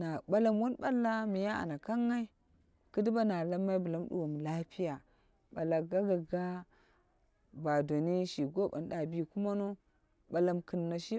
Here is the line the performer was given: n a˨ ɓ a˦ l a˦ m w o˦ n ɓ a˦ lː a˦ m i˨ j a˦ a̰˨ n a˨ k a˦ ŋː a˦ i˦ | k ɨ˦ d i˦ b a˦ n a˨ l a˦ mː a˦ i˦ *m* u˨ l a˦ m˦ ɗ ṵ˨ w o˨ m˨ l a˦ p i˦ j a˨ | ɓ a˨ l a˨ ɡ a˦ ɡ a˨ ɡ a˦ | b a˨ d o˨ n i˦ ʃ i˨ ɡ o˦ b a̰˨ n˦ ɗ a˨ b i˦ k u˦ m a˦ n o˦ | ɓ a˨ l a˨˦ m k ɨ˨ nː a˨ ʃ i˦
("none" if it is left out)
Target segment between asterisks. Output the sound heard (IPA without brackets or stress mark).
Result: b